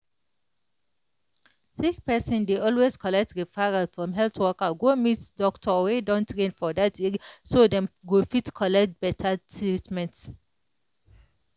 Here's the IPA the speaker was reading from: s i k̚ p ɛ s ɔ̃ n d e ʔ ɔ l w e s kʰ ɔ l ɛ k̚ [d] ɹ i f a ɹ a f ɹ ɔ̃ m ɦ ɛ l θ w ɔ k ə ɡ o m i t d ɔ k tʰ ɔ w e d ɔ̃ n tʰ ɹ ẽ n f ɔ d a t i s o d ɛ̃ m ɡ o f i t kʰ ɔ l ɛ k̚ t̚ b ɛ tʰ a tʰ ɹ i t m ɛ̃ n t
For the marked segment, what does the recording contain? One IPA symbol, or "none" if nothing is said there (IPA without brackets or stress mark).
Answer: t